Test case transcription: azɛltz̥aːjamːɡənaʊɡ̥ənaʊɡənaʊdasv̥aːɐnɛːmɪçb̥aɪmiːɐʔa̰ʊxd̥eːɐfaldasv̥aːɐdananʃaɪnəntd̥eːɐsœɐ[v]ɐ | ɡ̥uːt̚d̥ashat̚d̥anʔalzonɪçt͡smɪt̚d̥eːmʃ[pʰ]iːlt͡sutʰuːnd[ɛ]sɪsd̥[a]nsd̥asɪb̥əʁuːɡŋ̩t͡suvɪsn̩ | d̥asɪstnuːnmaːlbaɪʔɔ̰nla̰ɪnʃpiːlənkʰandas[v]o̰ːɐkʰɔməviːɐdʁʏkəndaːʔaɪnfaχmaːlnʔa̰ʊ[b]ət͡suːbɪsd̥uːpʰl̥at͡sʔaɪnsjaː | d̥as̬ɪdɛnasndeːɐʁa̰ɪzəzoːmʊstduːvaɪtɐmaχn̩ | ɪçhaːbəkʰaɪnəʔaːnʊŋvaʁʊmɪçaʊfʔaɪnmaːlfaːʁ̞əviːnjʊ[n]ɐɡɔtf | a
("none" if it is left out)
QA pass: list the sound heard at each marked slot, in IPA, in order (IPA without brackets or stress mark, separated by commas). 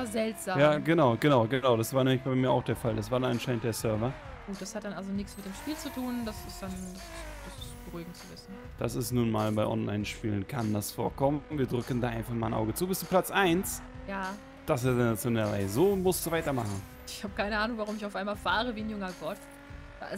v, p, a, a, f, ɡ, ŋ